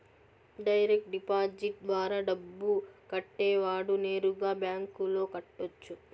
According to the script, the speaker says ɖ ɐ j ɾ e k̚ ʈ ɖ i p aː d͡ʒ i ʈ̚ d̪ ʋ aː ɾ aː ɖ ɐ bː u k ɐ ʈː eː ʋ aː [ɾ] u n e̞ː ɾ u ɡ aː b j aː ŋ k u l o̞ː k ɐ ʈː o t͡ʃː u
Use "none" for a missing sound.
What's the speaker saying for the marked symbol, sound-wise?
ɽ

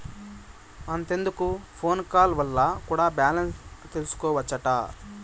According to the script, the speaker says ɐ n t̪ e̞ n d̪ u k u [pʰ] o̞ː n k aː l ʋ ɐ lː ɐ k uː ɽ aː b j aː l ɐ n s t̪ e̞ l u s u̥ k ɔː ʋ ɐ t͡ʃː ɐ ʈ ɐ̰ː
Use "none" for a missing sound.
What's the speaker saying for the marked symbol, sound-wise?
pʰ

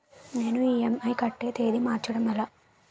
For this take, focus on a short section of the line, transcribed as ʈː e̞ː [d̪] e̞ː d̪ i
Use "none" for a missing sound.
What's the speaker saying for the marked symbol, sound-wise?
t̪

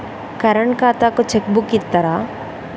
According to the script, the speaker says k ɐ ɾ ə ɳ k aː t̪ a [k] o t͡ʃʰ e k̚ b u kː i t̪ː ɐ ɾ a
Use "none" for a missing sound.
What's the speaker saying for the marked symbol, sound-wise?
k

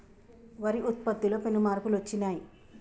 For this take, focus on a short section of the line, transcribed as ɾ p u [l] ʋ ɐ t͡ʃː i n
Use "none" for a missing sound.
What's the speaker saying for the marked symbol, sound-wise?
l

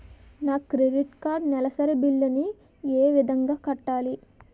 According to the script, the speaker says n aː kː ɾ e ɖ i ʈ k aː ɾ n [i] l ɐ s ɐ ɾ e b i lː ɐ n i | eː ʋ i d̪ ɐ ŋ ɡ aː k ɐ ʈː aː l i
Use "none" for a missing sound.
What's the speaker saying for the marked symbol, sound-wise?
ɛ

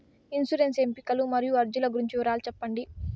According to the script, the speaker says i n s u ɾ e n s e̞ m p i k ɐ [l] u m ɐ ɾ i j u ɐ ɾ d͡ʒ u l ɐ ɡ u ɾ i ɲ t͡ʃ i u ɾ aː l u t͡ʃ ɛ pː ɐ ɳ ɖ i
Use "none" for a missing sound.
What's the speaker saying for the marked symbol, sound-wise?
l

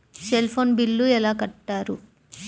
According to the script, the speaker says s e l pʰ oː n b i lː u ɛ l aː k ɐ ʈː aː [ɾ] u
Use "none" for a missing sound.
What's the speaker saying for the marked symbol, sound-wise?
ɾ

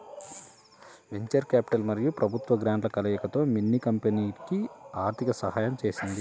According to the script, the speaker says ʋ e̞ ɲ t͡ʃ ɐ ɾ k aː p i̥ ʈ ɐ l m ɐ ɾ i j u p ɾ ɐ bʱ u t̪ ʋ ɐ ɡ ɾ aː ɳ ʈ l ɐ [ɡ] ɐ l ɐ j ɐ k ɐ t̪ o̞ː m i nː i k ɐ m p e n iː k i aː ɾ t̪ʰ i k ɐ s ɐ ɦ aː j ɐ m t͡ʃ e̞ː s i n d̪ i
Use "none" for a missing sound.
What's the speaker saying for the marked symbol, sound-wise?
k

